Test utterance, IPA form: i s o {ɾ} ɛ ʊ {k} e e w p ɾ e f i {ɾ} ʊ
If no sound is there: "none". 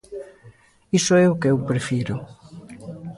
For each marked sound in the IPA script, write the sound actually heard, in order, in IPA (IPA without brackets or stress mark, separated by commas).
none, k, ɾ